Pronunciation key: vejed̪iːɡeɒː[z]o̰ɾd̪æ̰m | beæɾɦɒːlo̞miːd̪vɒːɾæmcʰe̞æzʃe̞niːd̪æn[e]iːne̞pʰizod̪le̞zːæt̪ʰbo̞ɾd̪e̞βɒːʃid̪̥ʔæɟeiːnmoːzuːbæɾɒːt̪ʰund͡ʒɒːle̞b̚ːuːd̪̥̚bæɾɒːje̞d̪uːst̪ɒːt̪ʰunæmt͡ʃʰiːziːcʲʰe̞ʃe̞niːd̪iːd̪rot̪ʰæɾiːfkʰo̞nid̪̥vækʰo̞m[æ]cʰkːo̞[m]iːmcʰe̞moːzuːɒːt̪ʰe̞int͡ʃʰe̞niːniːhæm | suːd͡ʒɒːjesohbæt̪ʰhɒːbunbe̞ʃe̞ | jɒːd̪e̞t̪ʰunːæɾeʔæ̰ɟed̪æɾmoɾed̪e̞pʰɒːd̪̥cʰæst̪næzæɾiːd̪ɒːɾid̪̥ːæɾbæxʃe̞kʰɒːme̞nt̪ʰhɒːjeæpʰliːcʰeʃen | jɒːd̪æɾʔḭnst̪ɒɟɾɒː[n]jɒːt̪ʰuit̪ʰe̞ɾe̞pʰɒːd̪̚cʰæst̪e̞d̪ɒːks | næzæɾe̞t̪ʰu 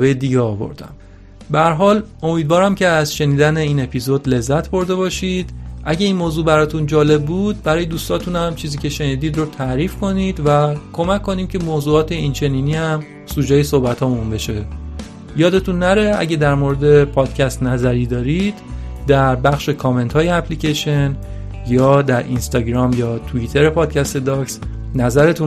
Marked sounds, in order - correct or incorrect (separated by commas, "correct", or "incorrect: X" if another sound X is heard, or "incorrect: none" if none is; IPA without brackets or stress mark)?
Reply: incorrect: v, correct, correct, incorrect: n, incorrect: m